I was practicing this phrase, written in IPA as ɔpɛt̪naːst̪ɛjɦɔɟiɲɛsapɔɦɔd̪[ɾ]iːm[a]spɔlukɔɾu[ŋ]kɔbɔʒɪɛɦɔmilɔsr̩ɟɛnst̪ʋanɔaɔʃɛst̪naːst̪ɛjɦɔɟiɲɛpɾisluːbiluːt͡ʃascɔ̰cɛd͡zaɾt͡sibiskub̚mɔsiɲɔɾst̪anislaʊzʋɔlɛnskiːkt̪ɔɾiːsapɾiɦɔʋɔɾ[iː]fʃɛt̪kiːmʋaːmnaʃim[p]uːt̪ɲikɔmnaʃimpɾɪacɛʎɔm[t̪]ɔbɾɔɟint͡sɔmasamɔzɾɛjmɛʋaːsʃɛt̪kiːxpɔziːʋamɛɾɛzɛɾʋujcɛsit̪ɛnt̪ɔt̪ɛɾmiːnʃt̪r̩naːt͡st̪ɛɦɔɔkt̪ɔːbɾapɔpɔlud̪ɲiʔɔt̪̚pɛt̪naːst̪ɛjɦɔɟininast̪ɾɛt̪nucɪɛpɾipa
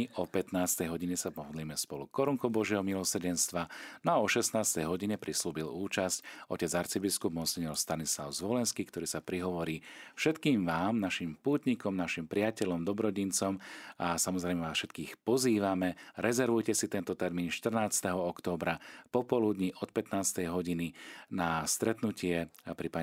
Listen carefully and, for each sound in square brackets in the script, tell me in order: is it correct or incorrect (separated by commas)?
incorrect, incorrect, correct, correct, correct, incorrect